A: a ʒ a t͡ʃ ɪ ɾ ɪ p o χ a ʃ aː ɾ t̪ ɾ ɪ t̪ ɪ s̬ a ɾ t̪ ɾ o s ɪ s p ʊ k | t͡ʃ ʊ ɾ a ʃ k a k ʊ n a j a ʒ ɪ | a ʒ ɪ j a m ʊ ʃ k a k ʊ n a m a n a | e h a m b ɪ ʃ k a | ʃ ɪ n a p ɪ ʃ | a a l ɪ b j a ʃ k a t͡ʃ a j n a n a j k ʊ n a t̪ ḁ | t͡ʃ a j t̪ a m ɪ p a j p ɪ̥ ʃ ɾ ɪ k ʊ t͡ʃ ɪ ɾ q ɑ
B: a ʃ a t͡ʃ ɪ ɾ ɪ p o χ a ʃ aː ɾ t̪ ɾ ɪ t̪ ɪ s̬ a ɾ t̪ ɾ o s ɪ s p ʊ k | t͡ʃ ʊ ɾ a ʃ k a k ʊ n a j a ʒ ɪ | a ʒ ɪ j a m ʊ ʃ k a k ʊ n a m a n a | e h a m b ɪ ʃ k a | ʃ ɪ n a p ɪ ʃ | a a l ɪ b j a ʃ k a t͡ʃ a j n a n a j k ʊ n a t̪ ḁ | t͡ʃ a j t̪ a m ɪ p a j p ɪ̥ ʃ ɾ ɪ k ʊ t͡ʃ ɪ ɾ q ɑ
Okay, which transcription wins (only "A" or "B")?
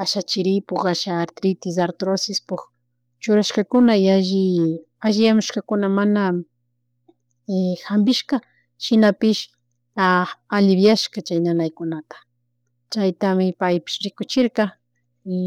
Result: B